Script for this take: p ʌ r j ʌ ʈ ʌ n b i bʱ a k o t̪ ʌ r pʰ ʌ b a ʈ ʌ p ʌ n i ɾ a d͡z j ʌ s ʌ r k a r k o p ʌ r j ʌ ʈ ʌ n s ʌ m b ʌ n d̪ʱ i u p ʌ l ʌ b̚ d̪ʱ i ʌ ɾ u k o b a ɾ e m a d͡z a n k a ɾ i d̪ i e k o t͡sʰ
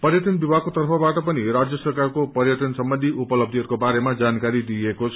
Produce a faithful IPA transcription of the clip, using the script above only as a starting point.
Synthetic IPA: p ʌ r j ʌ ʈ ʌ n b i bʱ a k o t̪ ʌ r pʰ ʌ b a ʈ ʌ p ʌ n i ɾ a d͡z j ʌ s ʌ r k a r k o p ʌ r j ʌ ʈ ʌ n s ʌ m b ʌ n d̪ʱ i u p ʌ l ʌ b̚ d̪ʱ i ʌ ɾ u k o b a ɾ e m a d͡z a n k a ɾ i d̪ i e k o t͡sʰ